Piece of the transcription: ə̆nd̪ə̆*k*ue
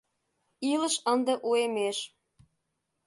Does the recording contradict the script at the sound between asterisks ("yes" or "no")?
yes